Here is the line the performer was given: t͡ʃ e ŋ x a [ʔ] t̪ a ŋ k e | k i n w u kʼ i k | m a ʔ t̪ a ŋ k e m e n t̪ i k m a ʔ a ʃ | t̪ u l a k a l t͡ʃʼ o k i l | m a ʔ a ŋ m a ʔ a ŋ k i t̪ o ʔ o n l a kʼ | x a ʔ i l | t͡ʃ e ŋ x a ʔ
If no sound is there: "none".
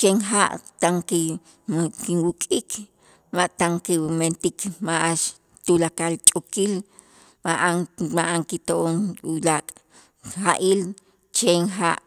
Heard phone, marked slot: ʔ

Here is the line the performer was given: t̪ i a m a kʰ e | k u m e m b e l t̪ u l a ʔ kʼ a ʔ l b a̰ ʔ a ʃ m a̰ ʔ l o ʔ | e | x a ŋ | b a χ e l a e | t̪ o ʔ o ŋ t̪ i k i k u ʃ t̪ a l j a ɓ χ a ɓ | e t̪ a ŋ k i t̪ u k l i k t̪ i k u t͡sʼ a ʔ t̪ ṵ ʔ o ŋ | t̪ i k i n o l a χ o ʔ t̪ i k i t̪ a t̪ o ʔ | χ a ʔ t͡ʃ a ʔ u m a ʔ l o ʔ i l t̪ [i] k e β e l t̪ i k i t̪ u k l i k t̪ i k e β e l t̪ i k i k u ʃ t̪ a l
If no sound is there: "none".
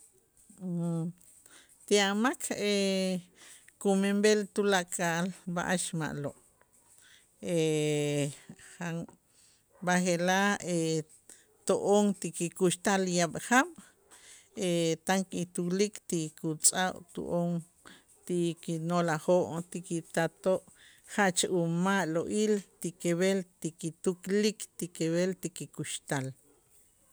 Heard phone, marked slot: i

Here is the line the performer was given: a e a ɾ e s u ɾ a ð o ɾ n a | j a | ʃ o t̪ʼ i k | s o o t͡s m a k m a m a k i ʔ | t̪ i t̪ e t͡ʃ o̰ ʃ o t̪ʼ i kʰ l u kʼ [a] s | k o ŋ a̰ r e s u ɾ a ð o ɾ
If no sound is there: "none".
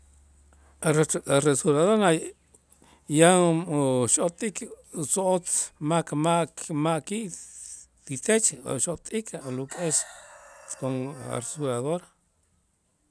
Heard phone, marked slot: e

